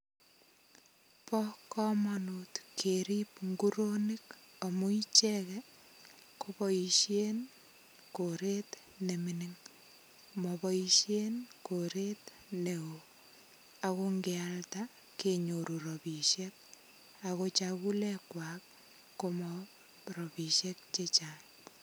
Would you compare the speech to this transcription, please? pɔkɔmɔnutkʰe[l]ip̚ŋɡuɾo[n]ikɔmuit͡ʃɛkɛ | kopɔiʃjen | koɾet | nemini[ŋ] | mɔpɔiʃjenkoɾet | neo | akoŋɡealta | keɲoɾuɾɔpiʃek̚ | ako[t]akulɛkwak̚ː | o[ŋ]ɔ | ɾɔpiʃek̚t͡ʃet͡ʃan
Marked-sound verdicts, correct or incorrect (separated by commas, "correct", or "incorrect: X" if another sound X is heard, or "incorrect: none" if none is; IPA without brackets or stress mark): incorrect: ɾ, correct, correct, incorrect: t͡ʃ, incorrect: m